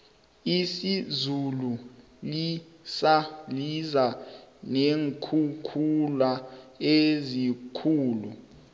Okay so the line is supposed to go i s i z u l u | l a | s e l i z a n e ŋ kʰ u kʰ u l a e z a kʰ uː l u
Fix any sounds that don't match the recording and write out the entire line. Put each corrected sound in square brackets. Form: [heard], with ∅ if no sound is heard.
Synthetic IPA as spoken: i s i z u l u | l [i] | s [a] l i z a n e ŋ kʰ u kʰ u l a e z [i] kʰ uː l u